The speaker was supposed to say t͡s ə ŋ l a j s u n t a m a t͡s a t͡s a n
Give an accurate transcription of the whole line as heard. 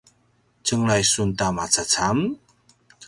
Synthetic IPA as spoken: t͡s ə ŋ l a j s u n t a m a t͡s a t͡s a m

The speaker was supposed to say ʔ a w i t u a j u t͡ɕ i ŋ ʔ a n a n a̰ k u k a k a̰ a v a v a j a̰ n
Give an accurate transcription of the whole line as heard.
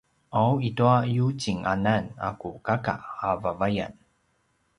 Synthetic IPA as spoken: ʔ a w i t u a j u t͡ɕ i ŋ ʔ a n a n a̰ k u k a k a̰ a v a v a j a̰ n

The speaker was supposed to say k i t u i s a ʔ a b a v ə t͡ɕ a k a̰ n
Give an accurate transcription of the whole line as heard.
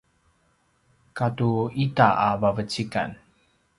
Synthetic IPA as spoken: k a t u i t a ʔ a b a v ə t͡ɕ i k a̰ n

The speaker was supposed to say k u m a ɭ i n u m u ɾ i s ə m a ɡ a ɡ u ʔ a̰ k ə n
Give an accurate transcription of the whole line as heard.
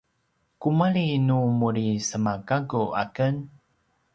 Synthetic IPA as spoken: k u m a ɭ i n u m u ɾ i s ə m a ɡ a ɡ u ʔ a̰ k ə n

